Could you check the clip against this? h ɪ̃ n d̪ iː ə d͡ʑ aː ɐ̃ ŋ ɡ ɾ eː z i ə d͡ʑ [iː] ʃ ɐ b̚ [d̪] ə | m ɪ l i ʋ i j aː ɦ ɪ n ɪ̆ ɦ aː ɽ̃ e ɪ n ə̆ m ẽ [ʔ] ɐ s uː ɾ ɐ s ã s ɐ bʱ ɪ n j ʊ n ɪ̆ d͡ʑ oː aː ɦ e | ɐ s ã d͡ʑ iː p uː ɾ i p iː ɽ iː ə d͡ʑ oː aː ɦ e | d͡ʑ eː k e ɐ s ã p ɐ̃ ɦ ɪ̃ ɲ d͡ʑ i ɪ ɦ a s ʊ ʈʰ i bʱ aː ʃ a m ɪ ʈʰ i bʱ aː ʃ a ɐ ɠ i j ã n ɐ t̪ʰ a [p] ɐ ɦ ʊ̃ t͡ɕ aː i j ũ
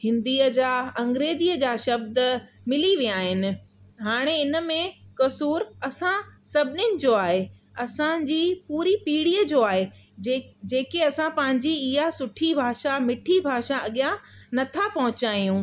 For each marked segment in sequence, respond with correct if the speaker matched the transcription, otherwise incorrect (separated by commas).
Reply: incorrect, correct, incorrect, correct